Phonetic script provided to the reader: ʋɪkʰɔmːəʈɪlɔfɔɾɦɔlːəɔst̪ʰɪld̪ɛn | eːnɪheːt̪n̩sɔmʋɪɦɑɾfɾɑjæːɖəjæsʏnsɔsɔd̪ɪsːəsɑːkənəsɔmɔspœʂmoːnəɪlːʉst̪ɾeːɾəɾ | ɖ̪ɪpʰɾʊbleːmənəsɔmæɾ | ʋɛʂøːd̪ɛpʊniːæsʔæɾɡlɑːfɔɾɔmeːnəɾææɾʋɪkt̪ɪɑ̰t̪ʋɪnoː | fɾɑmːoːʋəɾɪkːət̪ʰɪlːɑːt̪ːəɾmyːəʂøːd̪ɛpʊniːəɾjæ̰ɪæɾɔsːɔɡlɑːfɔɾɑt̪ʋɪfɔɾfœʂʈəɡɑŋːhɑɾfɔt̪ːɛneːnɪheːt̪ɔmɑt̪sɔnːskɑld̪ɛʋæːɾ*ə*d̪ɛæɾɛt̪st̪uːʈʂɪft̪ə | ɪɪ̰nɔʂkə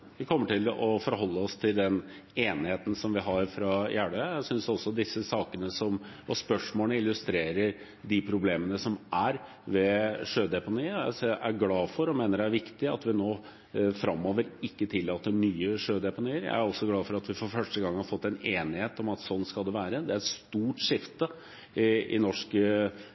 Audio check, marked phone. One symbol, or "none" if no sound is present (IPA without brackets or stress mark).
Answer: ə